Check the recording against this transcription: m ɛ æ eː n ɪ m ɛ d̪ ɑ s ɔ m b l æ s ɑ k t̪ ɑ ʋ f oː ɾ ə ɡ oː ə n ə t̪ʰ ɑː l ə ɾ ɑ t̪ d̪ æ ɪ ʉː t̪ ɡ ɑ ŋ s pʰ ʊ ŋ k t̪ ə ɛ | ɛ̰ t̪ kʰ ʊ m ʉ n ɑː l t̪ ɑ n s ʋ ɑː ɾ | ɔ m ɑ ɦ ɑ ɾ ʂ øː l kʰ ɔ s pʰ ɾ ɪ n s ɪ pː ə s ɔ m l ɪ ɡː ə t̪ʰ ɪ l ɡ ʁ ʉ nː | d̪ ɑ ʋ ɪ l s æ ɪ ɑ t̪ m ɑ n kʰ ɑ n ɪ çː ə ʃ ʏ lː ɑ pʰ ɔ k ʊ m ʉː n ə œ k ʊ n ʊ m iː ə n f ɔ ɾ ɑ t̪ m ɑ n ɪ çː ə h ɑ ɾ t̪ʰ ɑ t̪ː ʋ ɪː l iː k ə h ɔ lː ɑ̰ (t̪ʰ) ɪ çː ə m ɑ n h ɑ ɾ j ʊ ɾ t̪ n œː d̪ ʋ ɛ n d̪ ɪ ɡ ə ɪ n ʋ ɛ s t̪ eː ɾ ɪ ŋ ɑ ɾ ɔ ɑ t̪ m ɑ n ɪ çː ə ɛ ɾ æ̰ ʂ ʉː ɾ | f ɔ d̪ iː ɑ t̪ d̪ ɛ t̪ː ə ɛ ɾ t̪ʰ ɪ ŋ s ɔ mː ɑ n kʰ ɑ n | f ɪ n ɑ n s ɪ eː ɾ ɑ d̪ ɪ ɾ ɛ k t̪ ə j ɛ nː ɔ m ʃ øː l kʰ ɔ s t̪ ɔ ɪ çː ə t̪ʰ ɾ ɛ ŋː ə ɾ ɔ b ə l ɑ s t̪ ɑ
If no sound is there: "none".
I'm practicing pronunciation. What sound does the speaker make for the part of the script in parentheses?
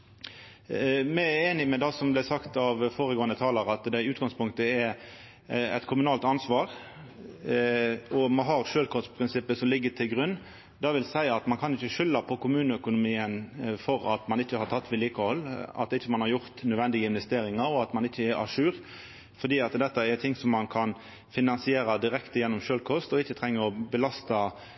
t̪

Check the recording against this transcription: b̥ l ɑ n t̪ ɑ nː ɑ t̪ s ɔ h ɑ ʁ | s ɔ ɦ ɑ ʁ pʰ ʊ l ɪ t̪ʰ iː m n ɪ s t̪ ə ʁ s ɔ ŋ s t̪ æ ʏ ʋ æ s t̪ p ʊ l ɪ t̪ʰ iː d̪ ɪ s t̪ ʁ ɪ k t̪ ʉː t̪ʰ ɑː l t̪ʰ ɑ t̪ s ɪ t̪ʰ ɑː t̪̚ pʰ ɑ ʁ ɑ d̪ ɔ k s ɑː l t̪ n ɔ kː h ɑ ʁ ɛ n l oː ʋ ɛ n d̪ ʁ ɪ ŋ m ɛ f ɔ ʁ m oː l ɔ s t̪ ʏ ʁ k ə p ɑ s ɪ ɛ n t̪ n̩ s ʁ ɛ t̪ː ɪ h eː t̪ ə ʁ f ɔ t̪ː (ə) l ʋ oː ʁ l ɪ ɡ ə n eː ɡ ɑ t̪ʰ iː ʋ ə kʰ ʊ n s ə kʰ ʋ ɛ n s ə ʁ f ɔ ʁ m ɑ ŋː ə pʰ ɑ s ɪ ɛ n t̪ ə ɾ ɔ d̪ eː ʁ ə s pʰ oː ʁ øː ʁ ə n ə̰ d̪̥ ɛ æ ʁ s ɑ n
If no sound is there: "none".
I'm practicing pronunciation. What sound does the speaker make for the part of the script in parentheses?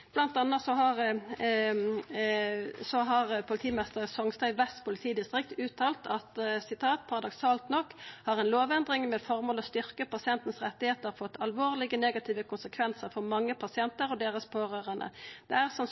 ɑ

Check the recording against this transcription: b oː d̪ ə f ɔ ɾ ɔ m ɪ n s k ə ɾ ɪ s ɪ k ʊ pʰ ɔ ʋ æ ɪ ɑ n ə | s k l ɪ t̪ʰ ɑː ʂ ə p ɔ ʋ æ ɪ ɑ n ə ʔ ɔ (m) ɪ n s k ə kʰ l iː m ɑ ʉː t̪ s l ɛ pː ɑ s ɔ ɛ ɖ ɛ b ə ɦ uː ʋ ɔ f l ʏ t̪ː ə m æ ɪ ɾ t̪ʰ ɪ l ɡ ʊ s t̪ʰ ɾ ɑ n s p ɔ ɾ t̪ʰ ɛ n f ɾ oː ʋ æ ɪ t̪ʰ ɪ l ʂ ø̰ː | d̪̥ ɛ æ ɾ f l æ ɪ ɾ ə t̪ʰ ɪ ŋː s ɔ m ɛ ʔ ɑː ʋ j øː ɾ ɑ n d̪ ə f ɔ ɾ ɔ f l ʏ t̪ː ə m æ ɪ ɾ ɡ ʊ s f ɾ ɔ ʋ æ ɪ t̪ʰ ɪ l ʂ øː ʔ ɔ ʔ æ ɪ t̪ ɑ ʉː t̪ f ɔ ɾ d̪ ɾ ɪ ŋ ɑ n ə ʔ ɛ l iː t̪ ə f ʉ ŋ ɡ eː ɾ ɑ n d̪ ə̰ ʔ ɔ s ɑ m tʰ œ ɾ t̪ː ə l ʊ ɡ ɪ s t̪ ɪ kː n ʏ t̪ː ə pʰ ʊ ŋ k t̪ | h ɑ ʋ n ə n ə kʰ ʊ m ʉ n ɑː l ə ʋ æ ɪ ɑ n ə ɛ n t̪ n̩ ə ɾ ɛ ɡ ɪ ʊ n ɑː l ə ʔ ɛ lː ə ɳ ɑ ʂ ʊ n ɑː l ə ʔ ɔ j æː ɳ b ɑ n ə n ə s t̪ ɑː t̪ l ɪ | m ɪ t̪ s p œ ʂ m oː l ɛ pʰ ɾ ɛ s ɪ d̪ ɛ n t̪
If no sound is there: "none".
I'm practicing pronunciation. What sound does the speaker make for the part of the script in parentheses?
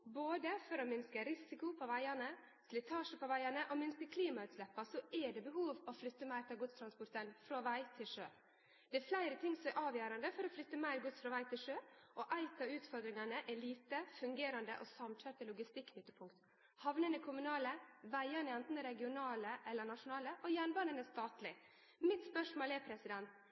m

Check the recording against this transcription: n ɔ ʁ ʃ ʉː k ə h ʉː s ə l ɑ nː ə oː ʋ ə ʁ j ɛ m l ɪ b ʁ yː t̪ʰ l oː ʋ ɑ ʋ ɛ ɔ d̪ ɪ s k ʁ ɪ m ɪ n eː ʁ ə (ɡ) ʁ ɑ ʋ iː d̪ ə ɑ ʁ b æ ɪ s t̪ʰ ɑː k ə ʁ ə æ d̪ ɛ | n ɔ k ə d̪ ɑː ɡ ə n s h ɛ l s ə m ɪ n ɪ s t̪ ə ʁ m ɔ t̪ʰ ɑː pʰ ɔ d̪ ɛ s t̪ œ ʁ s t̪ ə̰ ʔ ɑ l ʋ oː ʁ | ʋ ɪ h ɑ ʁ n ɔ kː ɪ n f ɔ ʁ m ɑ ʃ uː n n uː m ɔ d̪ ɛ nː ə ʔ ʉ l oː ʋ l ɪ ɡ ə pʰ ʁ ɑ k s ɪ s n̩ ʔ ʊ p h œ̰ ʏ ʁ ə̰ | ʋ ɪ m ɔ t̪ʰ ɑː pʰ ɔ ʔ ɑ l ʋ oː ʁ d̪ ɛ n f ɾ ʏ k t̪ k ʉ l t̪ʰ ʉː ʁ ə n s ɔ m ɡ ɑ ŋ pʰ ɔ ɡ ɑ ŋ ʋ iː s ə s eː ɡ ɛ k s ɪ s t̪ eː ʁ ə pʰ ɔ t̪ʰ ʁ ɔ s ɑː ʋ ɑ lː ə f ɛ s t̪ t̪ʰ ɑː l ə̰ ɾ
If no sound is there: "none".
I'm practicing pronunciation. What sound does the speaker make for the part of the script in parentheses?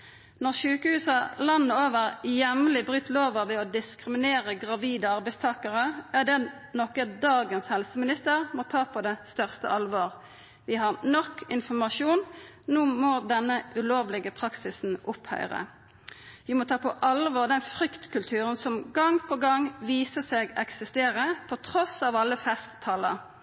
ɡ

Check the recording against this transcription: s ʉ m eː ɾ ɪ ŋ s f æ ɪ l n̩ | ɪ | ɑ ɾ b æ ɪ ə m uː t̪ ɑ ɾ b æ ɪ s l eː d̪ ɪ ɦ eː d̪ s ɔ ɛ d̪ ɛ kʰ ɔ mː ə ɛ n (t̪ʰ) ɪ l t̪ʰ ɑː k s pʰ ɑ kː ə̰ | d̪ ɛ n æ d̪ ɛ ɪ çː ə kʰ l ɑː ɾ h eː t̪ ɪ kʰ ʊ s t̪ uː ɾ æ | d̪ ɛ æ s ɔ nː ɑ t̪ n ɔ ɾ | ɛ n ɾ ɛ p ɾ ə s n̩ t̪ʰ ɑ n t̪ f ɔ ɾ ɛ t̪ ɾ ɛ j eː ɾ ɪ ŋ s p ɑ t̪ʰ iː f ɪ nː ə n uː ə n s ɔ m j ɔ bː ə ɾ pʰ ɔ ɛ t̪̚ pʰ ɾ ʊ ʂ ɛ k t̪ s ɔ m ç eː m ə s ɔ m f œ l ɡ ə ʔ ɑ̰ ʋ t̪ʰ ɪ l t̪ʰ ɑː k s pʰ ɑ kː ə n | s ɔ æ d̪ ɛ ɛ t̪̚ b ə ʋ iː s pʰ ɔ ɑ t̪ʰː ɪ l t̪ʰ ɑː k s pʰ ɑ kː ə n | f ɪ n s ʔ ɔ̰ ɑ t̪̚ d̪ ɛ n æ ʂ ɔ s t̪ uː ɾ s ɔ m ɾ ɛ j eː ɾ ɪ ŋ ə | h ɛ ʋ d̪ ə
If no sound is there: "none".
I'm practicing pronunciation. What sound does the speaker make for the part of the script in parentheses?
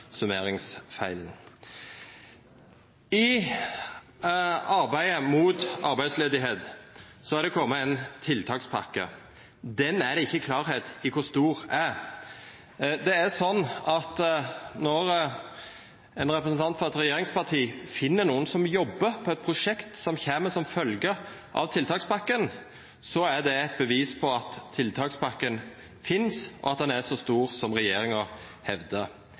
t̪ʰ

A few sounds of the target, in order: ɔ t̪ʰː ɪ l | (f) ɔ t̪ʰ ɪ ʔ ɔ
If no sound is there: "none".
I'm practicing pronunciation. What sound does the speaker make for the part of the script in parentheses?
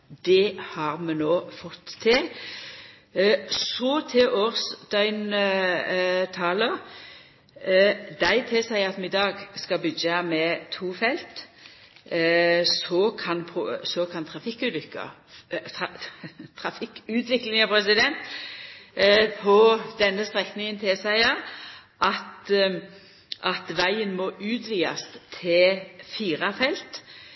s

